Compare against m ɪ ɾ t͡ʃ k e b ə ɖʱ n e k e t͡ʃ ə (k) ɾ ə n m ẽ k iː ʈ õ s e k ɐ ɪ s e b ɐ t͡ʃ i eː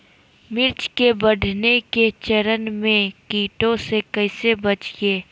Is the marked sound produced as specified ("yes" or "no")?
no